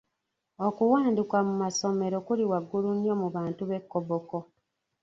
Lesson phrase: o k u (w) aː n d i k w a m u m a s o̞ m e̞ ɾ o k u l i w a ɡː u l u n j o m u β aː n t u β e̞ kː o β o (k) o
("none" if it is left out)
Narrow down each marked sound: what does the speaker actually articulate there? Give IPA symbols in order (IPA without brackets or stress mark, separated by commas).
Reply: w, k